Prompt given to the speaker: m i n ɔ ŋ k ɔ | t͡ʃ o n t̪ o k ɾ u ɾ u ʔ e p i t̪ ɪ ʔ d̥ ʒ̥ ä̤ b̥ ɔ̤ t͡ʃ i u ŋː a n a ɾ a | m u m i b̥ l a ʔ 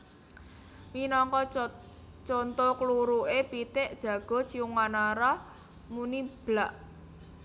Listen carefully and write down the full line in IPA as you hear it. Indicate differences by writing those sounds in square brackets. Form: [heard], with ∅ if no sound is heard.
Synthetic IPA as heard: m i n ɔ ŋ k ɔ | t͡ʃ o n t̪ o k [l] u ɾ u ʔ e p i t̪ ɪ ʔ d̥ ʒ̥ ä̤ [ɡ̥] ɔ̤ t͡ʃ i u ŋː a n a ɾ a | m u [n] i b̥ l a ʔ